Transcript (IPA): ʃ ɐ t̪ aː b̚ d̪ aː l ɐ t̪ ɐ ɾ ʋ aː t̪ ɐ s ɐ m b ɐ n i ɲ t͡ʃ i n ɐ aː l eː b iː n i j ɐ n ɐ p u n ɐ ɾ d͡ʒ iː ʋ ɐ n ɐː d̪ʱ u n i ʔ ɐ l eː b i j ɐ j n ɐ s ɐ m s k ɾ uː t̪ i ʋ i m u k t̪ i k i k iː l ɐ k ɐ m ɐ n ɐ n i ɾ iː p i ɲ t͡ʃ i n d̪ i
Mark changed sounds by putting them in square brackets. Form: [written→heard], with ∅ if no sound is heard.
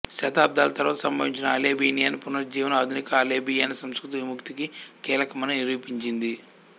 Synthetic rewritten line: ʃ ɐ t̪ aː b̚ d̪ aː l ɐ t̪ ɐ ɾ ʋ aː t̪ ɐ s ɐ m b ɐ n i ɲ t͡ʃ i n ɐ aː l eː b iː n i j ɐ n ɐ p u n ɐ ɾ d͡ʒ iː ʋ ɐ n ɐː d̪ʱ u n i [ʔ→k] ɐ l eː b i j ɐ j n ɐ s ɐ m s k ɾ [uː→u] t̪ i ʋ i m u k t̪ i k i k iː l ɐ k ɐ m ɐ n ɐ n i ɾ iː p i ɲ t͡ʃ i n d̪ i